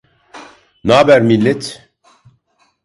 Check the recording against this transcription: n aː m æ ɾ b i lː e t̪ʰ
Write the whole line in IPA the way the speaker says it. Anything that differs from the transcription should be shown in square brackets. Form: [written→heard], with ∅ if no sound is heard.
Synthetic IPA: n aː [m→b] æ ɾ [b→m] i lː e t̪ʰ